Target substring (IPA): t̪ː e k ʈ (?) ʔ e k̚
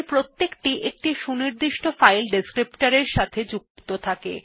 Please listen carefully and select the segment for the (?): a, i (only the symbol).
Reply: i